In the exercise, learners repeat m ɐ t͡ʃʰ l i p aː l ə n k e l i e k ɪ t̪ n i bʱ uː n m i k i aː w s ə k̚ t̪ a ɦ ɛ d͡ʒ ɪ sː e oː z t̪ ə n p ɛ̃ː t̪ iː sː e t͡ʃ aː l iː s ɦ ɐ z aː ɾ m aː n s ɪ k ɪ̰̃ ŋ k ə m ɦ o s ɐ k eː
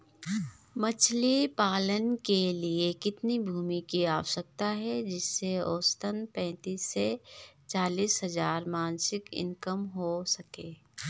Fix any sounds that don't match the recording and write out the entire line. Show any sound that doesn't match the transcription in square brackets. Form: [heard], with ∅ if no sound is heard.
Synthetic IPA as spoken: m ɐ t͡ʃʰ l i p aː l ə n k e l i e k ɪ t̪ n i bʱ uː [∅] m i k i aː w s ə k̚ t̪ a ɦ ɛ d͡ʒ ɪ sː e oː [s] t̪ ə n p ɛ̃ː t̪ iː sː e t͡ʃ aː l iː s ɦ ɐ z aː ɾ m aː n s ɪ k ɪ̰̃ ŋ k ə m ɦ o s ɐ k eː